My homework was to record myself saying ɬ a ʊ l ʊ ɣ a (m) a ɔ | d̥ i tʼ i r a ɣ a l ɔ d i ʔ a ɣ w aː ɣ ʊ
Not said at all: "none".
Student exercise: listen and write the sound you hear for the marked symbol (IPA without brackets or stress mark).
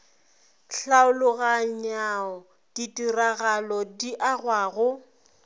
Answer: ɲ